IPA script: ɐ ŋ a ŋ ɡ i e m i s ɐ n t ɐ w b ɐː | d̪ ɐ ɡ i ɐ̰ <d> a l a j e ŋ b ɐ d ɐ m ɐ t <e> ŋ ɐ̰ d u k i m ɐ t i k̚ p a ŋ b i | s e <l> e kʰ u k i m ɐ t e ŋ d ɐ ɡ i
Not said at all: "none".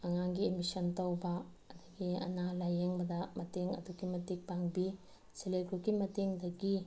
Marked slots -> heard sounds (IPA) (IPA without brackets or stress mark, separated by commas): n, e, l